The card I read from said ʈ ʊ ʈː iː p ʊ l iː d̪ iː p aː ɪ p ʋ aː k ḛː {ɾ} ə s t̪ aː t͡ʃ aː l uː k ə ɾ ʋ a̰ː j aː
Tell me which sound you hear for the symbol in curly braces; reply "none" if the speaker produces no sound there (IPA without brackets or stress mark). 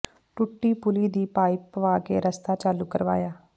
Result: ɾ